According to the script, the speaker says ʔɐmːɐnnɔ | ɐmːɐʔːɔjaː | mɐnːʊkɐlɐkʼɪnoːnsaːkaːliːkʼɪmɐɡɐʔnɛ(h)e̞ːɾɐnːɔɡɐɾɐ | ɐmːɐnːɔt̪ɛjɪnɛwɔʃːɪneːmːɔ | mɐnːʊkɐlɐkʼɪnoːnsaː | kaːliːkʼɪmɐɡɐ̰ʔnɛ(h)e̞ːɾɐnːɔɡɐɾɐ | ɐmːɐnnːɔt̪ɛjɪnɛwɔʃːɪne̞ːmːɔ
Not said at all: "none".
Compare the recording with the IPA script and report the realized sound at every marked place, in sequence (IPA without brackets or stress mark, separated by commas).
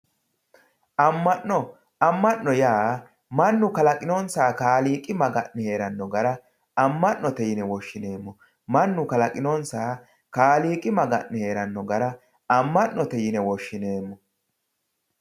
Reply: h, h